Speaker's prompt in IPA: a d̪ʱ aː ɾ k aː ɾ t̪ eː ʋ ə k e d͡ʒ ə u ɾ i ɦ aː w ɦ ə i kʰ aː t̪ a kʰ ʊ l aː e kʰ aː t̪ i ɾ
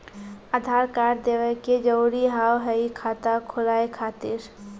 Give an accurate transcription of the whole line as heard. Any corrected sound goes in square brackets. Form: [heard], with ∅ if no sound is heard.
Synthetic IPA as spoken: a d̪ʱ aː ɾ k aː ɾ [d̪] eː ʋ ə k e d͡ʒ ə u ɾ i ɦ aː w ɦ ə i kʰ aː t̪ a kʰ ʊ l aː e kʰ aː t̪ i ɾ

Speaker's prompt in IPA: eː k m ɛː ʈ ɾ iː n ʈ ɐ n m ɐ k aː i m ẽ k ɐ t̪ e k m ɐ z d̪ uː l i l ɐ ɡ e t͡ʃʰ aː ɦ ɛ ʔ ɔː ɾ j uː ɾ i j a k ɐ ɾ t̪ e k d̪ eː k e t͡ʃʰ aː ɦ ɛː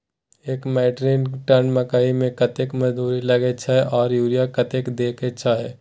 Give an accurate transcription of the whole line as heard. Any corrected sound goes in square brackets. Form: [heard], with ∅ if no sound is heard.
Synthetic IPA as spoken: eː k m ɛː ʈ ɾ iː n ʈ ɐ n m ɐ k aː i m ẽ k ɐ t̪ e k m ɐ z d̪ uː [ɾ] i l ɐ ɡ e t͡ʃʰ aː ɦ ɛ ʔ ɔː ɾ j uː ɾ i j a k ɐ [∅] t̪ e k d̪ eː k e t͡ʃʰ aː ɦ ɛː

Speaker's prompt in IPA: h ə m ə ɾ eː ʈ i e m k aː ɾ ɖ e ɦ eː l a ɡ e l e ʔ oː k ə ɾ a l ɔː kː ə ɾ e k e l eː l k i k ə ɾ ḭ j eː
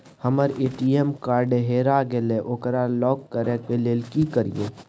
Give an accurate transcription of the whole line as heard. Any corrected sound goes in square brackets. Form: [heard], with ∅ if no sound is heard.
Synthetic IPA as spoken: h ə m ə ɾ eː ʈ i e m k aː ɾ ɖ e ɦ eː [ɾ] a ɡ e l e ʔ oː k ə ɾ a l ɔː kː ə ɾ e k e l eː l k i k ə ɾ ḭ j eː

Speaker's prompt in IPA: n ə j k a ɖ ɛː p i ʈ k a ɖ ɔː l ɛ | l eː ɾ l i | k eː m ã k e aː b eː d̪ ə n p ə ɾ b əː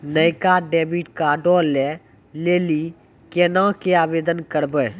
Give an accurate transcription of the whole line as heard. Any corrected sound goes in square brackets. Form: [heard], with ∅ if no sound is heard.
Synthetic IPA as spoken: n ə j k a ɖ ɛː [b] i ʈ k a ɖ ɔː l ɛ | l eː [∅] l i | k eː [n] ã k e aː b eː d̪ ə n [k] ə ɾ b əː

